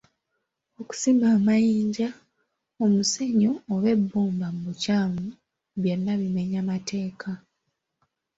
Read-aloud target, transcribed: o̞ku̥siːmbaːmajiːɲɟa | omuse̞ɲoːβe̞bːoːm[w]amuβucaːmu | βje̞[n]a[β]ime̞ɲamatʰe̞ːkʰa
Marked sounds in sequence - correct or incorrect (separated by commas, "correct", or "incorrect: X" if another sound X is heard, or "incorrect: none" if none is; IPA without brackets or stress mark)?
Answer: incorrect: b, incorrect: nː, correct